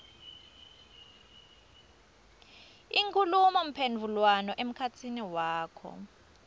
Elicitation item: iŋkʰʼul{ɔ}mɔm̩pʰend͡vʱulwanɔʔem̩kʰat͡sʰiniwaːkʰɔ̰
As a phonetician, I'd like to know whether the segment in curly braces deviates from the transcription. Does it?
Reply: yes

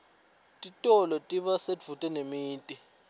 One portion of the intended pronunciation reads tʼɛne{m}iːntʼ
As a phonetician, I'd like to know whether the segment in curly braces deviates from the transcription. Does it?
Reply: no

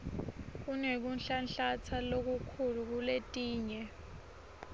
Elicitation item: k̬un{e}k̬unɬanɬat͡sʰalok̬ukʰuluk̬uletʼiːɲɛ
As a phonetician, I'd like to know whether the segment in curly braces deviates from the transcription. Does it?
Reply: no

